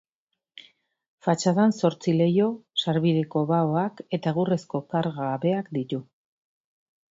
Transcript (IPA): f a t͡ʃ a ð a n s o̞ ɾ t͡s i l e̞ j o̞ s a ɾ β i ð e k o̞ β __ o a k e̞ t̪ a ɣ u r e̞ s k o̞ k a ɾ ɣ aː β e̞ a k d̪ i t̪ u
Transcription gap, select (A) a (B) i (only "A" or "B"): A